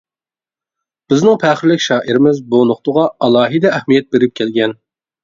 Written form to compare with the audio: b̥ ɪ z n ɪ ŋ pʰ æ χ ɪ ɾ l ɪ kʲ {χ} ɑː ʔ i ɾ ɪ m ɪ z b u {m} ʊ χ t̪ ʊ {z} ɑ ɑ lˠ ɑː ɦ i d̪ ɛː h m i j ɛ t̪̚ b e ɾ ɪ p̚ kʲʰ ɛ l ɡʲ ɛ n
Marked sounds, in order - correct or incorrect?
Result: incorrect: ʃ, incorrect: n, incorrect: ʁ

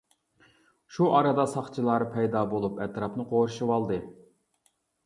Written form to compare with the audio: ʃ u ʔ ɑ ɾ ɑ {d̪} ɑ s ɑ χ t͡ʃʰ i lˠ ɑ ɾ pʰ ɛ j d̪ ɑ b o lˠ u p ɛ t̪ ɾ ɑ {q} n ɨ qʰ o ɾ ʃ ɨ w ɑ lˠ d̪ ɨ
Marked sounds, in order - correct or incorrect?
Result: correct, incorrect: p

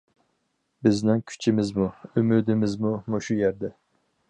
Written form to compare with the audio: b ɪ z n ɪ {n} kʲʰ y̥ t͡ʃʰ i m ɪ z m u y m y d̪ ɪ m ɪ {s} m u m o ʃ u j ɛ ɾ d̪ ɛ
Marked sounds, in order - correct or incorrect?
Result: incorrect: ŋ, incorrect: z

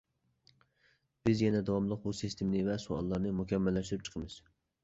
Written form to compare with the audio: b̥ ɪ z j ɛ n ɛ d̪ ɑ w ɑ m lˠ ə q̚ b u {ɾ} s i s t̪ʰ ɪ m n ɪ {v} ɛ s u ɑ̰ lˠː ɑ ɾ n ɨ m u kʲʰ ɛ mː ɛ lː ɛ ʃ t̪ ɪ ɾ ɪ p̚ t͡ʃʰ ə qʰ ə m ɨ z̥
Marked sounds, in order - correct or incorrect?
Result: incorrect: none, correct

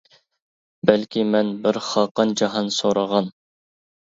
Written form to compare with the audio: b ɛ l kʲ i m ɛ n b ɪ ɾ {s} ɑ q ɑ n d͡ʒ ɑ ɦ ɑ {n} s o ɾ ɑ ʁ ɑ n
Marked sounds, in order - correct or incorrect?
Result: incorrect: χ, correct

